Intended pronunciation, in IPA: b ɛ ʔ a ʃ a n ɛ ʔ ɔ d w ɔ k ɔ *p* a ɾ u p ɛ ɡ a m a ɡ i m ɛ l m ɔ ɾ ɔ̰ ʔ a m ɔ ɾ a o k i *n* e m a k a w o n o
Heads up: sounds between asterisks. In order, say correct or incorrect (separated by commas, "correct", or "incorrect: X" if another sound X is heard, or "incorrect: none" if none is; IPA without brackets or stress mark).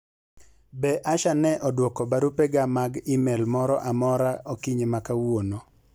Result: incorrect: b, incorrect: ɲ